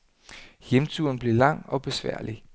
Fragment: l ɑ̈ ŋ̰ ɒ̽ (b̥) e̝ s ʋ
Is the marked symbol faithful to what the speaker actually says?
yes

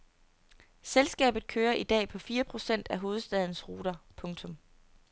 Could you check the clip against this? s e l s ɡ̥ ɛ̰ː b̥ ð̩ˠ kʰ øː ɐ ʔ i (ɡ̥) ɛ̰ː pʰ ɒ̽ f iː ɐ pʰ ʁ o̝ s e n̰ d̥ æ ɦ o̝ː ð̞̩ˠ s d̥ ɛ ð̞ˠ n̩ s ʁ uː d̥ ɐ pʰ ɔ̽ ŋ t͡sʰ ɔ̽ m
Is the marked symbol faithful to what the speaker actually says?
no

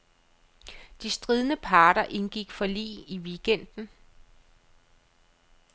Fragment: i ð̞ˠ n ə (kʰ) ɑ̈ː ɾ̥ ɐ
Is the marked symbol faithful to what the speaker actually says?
no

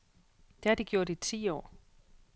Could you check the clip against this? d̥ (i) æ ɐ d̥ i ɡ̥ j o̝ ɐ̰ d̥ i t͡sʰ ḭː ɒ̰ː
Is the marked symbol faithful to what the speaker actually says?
no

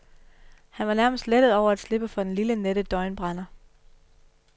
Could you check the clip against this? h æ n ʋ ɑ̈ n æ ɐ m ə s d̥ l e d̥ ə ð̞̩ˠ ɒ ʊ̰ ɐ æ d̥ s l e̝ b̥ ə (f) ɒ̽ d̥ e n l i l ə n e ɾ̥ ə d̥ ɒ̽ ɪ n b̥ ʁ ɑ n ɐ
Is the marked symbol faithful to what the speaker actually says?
yes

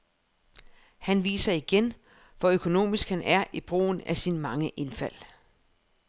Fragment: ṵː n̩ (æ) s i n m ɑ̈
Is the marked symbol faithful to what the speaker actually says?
yes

